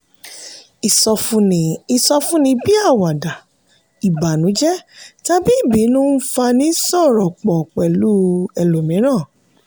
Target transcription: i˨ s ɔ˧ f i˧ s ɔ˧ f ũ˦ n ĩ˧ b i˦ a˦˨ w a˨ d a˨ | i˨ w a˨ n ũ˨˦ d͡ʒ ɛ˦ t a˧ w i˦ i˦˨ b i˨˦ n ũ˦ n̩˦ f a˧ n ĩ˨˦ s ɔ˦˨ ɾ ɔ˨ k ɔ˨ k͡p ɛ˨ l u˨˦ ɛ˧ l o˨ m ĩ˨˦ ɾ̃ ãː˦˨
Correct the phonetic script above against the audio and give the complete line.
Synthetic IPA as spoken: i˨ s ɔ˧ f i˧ s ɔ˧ f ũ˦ n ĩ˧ b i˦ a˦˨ w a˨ d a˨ | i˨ b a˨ n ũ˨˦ d͡ʒ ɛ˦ t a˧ b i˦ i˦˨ b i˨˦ n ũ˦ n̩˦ f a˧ n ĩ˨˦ s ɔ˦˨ ɾ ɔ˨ k͡p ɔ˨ k͡p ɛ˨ l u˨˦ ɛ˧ l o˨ m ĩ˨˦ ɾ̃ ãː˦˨